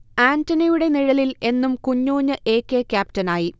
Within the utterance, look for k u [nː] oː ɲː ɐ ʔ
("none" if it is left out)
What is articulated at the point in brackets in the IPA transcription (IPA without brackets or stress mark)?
ɲː